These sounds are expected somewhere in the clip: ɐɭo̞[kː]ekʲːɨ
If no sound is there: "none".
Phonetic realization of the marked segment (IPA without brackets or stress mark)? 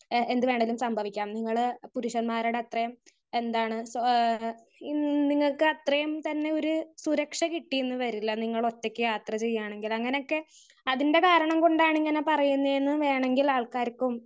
tː